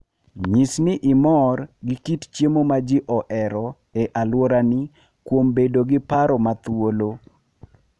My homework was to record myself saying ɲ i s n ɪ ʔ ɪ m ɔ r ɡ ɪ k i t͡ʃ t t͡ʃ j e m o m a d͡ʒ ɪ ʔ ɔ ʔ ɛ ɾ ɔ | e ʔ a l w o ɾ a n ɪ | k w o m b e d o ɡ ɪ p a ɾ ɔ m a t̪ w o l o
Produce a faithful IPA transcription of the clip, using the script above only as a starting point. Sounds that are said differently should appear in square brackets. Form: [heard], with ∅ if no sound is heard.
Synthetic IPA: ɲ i s n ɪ ʔ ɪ m ɔ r ɡ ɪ k i [∅] t t͡ʃ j e m o m a d͡ʒ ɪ ʔ ɔ ʔ ɛ ɾ ɔ | e ʔ a l w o ɾ a n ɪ | k w o m b e d o ɡ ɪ p a ɾ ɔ m a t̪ w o l o